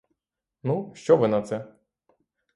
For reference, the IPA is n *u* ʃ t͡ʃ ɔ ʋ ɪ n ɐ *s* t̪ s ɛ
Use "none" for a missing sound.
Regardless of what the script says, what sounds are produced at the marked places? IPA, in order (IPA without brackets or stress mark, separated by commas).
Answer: u, none